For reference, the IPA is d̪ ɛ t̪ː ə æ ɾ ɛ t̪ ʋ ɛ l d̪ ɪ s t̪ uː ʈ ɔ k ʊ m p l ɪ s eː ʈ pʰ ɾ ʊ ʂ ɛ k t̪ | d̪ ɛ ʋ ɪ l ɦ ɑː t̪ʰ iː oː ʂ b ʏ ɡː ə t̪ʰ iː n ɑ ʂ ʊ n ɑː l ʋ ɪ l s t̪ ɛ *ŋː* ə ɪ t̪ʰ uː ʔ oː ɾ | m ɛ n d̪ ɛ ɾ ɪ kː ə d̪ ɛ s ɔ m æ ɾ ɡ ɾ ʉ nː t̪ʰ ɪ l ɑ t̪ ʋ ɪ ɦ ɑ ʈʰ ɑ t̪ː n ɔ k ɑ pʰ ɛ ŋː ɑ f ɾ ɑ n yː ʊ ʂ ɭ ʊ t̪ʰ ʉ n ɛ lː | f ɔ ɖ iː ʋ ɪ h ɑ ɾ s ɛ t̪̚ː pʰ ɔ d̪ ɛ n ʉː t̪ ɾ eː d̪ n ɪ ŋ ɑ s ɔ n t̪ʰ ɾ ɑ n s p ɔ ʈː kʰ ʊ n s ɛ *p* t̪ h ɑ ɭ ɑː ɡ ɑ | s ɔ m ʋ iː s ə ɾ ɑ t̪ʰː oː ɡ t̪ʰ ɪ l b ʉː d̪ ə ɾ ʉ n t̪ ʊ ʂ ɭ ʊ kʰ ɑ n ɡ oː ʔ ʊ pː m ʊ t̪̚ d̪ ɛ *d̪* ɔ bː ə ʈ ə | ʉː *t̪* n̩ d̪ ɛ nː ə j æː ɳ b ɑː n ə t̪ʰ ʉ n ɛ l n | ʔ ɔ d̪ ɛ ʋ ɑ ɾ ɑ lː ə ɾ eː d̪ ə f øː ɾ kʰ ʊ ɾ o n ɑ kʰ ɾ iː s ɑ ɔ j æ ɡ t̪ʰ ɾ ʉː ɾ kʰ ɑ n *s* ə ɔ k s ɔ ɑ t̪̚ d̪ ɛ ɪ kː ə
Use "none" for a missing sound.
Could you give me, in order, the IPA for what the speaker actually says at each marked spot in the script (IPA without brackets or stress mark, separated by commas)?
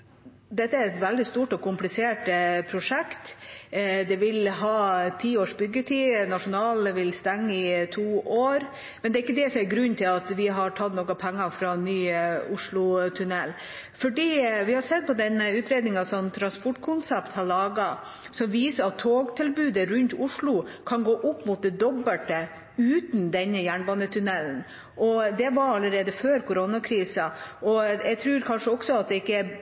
ŋː, p, d̪, t̪, ʂ